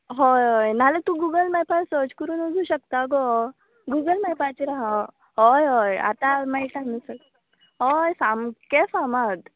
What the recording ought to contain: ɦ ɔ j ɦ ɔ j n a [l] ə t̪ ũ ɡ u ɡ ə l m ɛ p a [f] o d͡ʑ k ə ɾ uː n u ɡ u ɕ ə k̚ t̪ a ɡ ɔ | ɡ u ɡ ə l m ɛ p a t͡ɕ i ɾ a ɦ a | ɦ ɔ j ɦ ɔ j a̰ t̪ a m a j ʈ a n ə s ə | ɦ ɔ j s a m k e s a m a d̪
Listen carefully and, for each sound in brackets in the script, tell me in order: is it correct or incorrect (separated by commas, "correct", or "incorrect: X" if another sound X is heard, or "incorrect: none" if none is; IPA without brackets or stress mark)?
correct, incorrect: s